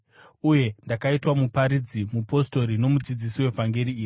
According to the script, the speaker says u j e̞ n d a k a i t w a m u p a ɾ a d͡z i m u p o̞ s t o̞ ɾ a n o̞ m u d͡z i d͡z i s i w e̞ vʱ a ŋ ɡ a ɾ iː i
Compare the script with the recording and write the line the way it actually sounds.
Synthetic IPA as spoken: u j e̞ n d a k a i t w a m u p a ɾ i d͡z i m u p o̞ s t o̞ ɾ i n o̞ m u d͡z i d͡z i s i w e̞ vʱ a ŋ ɡ e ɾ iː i